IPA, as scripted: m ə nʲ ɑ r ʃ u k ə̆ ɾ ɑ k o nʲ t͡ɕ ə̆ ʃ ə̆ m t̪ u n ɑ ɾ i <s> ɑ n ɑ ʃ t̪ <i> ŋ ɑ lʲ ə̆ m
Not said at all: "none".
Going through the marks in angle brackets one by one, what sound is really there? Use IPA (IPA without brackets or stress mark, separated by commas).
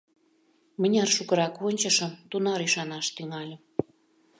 ʃ, y